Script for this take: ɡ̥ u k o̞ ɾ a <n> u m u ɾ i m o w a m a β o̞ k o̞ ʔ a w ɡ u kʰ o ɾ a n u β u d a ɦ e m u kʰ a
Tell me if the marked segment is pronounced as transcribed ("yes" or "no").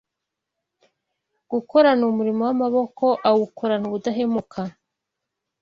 yes